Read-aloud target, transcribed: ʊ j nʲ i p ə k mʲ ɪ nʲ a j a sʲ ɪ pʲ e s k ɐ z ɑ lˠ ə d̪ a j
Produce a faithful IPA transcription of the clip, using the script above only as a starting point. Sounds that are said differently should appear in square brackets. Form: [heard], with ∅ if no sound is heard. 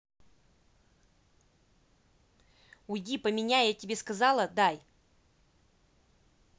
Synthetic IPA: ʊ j [dʲ] i p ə [∅] mʲ ɪ nʲ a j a [tʲ] ɪ [bʲ] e s k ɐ z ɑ lˠ ə d̪ a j

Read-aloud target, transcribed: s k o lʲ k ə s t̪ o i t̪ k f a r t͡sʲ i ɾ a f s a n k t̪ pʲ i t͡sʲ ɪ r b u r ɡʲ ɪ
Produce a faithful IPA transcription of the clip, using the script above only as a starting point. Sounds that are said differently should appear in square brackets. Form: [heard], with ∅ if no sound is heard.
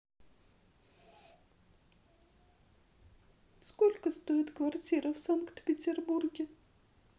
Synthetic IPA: s k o lʲ k ə s t̪ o [ɪ] t̪ k [v] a r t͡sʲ i ɾ [ə] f s a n k t̪ pʲ [ɪ] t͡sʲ ɪ r b u r ɡʲ ɪ

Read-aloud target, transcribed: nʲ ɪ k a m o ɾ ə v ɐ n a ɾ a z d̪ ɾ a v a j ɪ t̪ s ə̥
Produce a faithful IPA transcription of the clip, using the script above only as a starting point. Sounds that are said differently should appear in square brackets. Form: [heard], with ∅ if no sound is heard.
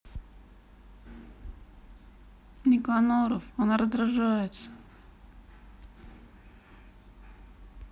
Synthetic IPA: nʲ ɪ k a [n] o ɾ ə [f] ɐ n a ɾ [ə] z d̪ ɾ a [ʐ] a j ɪ t̪ s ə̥

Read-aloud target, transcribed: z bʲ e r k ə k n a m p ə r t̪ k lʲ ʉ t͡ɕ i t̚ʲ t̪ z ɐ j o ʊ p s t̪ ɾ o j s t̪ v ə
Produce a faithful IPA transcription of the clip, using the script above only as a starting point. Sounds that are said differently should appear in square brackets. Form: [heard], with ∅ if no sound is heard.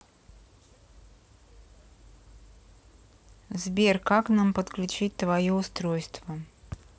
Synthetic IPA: z bʲ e r k [a] k n a m p ə [∅] t̪ k lʲ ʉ t͡ɕ i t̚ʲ t̪ [v] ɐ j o ʊ [∅] s t̪ ɾ o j s t̪ v ə

